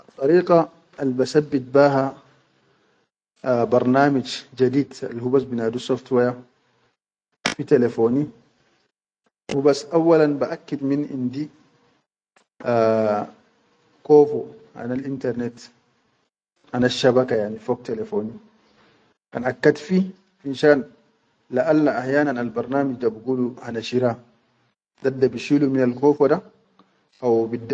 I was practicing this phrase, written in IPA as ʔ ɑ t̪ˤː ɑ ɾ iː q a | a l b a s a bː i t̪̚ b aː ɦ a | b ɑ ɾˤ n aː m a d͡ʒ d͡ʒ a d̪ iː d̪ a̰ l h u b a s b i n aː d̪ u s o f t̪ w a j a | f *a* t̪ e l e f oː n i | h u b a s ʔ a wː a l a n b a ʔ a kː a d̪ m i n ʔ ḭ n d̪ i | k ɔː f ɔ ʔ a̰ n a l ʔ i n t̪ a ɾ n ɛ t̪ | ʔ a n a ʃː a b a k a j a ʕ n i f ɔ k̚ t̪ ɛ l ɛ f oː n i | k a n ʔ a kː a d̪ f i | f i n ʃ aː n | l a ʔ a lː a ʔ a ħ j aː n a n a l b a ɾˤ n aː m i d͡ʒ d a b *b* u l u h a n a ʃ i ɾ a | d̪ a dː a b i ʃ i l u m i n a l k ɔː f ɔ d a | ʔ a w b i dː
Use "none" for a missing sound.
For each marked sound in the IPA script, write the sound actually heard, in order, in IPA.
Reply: i, ɡ

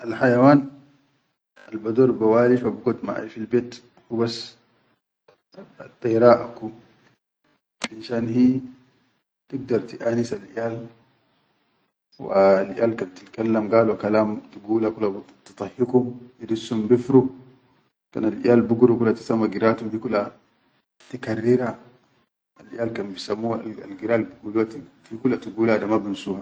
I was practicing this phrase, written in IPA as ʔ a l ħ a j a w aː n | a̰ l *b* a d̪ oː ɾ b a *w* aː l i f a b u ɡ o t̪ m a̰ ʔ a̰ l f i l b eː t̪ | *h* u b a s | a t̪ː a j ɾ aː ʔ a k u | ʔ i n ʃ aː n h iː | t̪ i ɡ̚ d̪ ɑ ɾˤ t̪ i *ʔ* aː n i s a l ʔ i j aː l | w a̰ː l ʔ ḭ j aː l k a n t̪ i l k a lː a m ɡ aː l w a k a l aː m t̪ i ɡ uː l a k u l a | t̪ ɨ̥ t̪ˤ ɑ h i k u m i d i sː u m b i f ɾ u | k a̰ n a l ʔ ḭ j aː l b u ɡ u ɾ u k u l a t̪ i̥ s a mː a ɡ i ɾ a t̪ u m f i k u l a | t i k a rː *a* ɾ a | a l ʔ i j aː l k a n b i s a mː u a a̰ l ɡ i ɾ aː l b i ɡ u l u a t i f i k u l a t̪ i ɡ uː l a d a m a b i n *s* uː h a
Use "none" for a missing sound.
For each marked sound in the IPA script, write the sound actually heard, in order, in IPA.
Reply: b, w, h, ʔ, i, s

